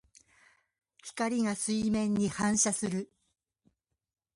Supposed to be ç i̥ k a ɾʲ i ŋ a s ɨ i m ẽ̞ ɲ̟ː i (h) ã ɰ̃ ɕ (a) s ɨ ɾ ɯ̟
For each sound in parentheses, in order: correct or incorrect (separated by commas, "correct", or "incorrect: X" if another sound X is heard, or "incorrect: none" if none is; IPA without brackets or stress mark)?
correct, correct